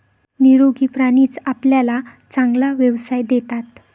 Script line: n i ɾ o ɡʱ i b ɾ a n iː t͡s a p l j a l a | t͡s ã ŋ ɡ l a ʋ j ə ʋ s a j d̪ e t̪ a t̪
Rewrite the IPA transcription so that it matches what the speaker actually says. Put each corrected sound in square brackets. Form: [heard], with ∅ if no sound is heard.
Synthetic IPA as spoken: n i ɾ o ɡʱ i [p] ɾ a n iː t͡s a p l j a l a | t͡s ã ŋ ɡ l a ʋ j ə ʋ s a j d̪ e t̪ a t̪